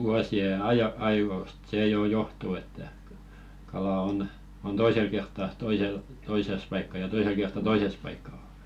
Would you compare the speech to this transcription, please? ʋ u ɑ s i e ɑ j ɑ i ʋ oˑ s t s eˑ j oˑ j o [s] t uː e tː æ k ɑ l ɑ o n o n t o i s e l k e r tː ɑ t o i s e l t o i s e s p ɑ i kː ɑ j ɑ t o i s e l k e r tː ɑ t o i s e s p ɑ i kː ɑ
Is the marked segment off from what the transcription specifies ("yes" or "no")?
yes